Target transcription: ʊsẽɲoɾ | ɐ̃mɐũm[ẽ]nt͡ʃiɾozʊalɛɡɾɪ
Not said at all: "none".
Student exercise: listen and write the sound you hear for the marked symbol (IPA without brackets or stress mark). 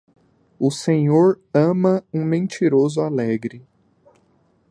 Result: ẽ